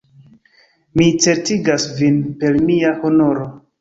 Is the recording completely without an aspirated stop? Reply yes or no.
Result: yes